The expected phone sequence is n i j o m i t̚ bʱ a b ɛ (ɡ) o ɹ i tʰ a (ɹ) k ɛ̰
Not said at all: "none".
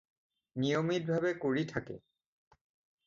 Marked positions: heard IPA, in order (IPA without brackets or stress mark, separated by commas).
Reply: k, none